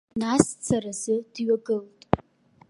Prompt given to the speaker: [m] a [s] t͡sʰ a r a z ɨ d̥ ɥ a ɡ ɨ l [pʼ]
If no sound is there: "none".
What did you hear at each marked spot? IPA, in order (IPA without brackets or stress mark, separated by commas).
n, s, tʼ